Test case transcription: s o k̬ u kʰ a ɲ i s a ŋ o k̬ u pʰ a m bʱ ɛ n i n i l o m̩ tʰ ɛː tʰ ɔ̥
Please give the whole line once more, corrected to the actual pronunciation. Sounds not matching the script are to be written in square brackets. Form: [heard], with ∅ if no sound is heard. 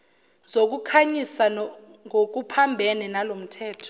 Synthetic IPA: [z] o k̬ u kʰ a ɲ i s a ŋ o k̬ u pʰ a m bʱ ɛ n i n [a] l o m̩ tʰ ɛː tʰ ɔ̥